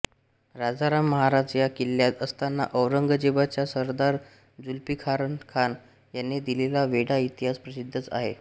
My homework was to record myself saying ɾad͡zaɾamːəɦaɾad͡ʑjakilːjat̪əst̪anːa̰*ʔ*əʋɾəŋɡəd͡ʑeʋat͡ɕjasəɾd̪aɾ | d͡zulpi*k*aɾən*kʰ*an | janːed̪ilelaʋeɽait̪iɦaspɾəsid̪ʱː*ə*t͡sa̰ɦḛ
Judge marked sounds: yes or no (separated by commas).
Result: yes, no, yes, yes